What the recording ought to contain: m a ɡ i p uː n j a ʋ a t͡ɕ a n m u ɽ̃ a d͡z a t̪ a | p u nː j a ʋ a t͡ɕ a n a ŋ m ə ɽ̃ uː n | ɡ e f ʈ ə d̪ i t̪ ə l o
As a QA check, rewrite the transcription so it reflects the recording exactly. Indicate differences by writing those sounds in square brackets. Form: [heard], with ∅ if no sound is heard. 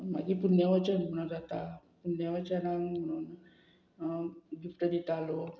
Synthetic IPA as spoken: m a ɡ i p [u] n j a ʋ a t͡ɕ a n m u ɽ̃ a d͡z a t̪ a | p u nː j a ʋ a t͡ɕ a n a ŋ m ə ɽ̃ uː n | ɡ [i] f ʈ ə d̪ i t̪ [a] l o